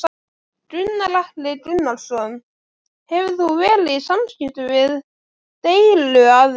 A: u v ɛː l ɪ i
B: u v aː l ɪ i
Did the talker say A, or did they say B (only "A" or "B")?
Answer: A